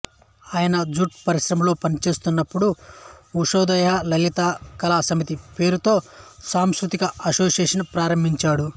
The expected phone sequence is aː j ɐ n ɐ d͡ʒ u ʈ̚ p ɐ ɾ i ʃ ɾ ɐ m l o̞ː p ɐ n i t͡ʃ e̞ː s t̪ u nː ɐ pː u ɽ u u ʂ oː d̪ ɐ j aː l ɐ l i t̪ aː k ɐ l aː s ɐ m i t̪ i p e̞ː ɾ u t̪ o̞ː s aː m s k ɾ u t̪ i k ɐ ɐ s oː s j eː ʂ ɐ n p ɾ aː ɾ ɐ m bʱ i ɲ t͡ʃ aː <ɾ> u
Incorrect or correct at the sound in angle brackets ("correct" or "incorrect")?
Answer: incorrect